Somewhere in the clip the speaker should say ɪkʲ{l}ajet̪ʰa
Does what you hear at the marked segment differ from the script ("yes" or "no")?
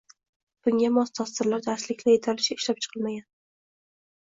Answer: no